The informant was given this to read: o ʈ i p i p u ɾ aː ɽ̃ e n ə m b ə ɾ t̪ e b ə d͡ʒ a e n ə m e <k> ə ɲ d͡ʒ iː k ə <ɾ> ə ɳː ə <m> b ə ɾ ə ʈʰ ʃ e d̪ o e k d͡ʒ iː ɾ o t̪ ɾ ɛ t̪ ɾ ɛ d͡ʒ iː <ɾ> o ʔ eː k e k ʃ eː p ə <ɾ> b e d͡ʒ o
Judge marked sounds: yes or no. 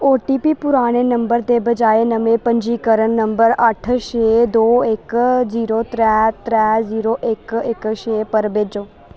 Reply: no, yes, yes, yes, yes

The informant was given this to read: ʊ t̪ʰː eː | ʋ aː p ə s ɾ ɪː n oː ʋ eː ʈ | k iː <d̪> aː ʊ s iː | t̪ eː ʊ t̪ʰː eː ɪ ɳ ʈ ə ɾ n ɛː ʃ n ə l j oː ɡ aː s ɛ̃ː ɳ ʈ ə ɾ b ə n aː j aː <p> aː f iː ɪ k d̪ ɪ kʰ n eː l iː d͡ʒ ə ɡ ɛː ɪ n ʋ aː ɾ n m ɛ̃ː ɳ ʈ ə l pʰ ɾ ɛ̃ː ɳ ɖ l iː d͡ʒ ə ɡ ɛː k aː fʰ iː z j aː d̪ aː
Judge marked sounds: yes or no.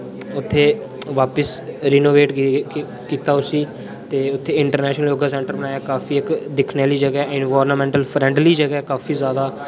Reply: no, no

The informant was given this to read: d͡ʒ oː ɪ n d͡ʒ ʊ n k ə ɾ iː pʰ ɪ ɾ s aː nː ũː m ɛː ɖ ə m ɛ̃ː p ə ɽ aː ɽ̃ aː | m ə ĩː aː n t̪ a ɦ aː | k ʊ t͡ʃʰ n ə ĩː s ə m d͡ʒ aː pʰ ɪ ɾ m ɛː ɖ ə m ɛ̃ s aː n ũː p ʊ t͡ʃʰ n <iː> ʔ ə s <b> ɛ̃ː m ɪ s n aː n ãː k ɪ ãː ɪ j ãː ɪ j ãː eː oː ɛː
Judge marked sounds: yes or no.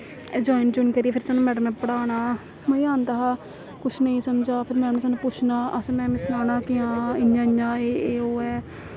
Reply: no, no

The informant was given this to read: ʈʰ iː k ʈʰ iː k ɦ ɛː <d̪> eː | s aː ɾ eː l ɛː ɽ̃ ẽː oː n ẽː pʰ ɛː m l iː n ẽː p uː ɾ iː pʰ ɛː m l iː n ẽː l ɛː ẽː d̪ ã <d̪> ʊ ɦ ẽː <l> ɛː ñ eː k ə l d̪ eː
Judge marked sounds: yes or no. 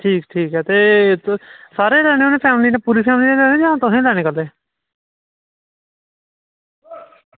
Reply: no, no, yes

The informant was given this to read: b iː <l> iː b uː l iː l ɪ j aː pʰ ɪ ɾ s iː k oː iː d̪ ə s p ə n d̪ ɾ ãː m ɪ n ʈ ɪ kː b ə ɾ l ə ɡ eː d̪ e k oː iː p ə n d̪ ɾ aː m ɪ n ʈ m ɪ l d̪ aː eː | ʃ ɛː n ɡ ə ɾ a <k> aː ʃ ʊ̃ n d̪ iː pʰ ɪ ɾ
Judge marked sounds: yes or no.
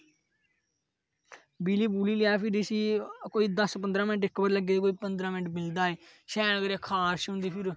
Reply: yes, no

